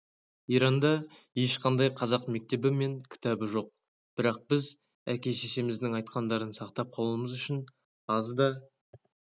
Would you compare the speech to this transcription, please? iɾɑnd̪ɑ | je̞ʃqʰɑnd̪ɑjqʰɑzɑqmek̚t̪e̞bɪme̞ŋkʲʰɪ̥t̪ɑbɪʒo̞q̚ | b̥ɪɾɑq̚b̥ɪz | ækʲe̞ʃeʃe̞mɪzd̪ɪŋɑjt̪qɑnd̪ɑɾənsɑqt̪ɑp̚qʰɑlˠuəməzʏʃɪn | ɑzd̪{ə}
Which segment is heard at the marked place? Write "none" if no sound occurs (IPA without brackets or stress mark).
ɑ